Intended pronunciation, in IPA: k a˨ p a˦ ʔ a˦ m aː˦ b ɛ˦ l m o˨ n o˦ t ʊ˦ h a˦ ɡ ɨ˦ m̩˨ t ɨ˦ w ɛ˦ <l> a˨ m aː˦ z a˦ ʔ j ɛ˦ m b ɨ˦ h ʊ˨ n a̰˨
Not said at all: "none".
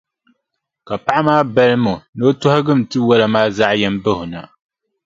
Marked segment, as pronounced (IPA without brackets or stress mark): l